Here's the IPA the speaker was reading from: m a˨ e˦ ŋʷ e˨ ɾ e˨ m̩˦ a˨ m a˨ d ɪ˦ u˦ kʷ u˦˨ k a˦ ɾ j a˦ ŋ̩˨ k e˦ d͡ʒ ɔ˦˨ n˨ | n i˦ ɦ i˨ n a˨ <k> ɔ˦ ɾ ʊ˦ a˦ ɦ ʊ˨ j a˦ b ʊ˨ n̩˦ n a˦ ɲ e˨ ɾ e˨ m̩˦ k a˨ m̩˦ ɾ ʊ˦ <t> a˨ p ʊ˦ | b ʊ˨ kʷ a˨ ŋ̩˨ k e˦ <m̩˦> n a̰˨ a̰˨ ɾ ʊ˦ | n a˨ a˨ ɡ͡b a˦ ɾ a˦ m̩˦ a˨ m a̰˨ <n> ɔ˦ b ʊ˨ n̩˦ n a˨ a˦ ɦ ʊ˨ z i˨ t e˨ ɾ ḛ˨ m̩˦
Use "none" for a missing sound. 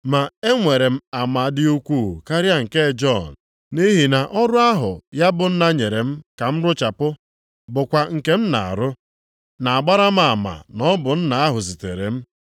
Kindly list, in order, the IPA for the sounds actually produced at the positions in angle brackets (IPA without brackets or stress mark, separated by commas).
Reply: ʔ, t͡ʃ, m̩˦, n